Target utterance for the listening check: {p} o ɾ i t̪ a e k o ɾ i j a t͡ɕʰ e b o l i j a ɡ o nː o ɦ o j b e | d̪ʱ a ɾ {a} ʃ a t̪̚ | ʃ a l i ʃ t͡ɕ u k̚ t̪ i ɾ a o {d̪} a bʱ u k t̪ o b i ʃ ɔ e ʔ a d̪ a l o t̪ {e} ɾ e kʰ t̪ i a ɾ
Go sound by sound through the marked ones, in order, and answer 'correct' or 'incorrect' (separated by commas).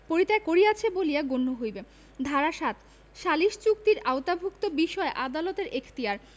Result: correct, correct, incorrect, correct